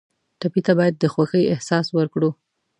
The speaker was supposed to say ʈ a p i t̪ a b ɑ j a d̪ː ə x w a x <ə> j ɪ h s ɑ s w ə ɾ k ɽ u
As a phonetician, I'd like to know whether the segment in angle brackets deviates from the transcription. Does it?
no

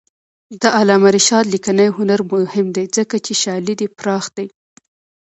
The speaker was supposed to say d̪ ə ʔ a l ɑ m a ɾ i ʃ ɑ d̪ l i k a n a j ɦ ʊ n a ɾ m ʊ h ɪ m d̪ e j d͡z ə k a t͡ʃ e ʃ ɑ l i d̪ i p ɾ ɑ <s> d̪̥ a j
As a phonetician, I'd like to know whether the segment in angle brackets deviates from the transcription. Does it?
yes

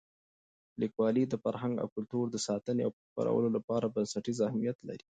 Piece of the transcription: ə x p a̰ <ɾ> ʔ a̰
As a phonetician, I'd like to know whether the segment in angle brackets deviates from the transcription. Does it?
no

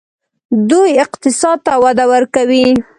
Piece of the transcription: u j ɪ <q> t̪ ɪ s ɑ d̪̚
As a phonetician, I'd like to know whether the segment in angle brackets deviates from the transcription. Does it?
no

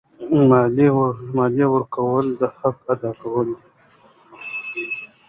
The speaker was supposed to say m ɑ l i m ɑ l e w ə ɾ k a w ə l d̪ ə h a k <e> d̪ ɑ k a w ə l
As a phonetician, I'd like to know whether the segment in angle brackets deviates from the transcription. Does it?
yes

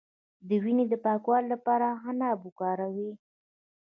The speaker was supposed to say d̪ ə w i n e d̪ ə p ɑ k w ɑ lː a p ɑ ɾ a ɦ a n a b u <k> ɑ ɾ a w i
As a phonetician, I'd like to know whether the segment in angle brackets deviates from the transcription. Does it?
no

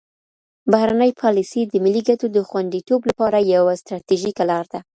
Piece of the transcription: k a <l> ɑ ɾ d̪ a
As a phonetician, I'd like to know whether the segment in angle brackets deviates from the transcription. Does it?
no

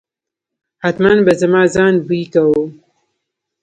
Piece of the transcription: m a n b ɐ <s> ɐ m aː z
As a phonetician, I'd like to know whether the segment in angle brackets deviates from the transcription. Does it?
yes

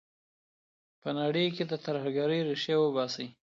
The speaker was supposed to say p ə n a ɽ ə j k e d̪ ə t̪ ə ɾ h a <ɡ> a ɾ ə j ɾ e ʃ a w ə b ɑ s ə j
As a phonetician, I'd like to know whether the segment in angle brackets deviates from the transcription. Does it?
no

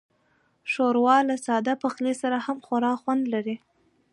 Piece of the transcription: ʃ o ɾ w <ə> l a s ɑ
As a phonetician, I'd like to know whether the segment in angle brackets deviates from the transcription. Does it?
yes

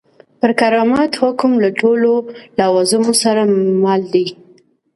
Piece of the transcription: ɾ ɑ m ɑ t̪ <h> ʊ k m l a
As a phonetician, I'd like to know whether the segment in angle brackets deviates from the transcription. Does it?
no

